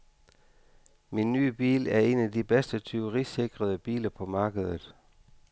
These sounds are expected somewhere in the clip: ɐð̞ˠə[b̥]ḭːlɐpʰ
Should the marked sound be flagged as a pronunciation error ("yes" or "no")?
no